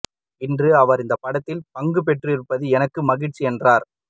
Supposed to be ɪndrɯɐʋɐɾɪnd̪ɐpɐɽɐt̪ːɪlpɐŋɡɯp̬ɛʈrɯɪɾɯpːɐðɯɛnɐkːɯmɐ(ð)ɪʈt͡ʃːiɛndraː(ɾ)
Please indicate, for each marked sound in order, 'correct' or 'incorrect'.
incorrect: ɣ, correct

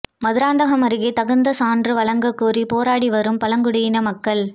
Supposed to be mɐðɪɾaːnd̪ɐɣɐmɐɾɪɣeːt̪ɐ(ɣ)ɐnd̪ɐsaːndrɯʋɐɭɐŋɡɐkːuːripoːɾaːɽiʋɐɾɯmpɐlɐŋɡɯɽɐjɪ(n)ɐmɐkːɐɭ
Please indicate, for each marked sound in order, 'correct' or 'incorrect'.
correct, correct

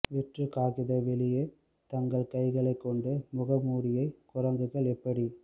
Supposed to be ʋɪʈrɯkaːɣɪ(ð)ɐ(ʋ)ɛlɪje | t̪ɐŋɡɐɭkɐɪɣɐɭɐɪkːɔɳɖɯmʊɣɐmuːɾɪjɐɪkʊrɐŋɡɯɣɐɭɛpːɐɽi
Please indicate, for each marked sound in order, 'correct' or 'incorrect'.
correct, correct

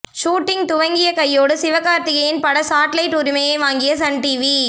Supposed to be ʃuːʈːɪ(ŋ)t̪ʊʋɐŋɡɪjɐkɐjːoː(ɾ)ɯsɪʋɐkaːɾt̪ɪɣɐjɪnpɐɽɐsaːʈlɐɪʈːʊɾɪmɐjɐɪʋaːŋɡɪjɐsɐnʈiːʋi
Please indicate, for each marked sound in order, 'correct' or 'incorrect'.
correct, incorrect: ɽ

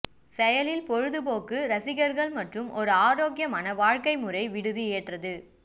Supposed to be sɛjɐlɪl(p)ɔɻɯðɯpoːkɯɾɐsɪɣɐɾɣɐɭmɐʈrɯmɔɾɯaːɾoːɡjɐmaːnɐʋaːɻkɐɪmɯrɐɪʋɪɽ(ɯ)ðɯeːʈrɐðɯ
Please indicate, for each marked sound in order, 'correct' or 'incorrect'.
correct, correct

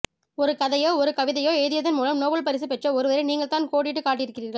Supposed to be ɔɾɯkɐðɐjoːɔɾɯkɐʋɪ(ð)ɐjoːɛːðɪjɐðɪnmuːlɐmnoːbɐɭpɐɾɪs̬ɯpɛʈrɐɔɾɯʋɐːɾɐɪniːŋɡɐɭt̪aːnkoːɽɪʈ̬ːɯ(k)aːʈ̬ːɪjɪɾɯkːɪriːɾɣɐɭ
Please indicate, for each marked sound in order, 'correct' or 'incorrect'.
correct, correct

